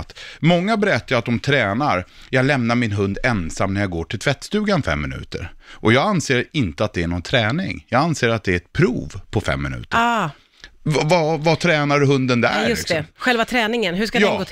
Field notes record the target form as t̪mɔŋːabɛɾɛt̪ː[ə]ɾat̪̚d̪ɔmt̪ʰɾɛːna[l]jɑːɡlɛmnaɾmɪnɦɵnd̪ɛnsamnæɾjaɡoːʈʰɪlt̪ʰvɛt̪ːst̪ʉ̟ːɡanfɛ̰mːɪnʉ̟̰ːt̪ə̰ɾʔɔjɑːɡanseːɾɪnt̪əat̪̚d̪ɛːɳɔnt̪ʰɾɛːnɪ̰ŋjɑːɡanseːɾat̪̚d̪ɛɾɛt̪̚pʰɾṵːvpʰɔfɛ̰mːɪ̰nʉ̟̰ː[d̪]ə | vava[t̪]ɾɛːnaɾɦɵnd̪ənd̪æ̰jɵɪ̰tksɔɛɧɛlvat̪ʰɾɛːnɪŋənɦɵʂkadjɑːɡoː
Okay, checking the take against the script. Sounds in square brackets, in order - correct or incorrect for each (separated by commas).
incorrect, incorrect, incorrect, incorrect